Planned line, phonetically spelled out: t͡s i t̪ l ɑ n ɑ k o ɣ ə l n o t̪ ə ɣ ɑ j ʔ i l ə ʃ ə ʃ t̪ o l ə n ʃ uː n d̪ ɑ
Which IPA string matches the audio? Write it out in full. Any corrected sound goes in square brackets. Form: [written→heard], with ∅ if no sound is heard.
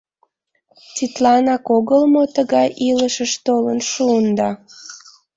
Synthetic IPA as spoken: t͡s i t̪ l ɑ n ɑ k o ɣ ə l [n→m] o t̪ ə ɣ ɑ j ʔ i l ə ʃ ə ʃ t̪ o l ə n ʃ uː n d̪ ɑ